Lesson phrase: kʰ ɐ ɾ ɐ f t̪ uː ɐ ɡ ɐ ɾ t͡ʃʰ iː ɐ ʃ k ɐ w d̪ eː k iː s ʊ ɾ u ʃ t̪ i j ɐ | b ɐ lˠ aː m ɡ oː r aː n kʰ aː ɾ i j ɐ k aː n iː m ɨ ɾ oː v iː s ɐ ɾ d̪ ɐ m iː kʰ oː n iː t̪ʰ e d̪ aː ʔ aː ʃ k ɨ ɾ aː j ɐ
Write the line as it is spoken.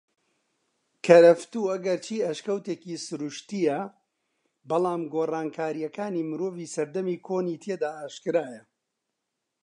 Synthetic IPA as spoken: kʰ ɐ ɾ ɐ f t̪ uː ɐ ɡ ɐ ɾ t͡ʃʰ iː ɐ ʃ k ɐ w t̪ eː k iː s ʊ ɾ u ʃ t̪ i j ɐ | b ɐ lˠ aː m ɡ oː r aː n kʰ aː ɾ i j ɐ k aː n iː m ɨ ɾ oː v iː s ɐ ɾ d̪ ɐ m iː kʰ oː n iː t̪ʰ e d̪ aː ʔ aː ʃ k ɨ ɾ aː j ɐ